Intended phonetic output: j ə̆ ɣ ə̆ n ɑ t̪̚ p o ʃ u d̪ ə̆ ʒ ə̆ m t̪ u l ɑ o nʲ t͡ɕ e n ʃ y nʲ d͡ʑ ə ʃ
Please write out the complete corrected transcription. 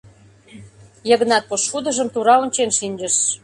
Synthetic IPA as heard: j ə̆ ɣ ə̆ n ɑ t̪̚ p o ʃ u d̪ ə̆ ʒ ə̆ m t̪ u ɾ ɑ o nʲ t͡ɕ e n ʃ i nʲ d͡ʑ ə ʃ